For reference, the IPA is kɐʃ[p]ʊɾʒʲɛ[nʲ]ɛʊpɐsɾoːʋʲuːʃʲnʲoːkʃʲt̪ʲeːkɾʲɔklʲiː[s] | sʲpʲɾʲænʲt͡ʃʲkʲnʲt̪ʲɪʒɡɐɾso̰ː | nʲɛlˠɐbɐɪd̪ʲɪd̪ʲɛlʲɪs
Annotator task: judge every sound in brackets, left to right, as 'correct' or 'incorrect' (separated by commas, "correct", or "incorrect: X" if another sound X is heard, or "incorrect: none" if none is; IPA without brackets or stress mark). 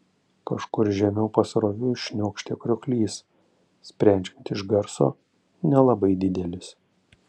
incorrect: k, incorrect: mʲ, correct